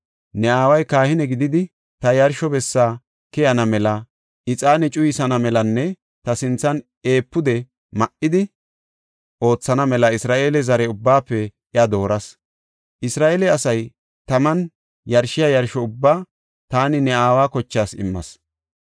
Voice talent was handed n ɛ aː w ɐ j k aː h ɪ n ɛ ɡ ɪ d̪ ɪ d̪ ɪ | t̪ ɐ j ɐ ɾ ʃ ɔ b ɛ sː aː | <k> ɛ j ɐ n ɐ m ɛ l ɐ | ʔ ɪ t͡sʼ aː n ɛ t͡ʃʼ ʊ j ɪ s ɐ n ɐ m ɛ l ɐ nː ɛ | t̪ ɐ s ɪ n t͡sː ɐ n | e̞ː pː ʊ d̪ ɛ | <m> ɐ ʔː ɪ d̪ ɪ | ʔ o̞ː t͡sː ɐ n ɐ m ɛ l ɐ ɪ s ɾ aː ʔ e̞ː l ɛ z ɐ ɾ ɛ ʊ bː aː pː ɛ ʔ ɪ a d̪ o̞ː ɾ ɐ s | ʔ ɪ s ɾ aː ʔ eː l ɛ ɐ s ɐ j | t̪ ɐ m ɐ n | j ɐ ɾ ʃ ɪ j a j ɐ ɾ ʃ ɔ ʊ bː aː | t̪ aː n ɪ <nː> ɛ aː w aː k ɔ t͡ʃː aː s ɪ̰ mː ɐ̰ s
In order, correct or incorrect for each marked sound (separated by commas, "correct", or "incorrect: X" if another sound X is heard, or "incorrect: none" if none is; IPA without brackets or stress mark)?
correct, correct, incorrect: n